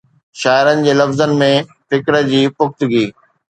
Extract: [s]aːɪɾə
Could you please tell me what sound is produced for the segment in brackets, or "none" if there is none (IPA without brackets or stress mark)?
ʃ